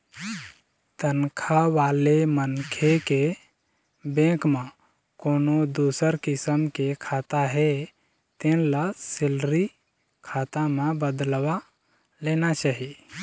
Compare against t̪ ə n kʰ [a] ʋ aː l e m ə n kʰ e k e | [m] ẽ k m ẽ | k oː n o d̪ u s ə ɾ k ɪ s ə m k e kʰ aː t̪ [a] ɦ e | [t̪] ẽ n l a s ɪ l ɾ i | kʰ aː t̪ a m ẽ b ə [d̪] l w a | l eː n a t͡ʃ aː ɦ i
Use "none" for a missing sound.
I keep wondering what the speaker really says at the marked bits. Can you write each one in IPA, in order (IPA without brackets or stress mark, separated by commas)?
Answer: a, b, a, t̪, d̪